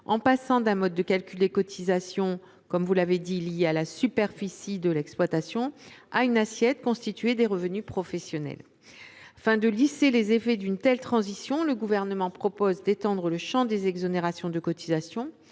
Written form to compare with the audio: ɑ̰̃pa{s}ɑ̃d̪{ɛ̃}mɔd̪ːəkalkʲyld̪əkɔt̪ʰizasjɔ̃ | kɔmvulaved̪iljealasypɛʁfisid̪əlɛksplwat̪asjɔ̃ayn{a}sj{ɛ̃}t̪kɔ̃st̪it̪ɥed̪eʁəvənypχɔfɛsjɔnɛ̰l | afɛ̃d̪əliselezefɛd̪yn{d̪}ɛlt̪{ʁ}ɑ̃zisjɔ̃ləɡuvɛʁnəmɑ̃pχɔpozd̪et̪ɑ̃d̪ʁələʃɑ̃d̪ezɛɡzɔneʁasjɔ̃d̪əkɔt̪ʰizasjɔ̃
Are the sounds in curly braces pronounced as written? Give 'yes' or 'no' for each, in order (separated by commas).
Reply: yes, yes, yes, no, no, no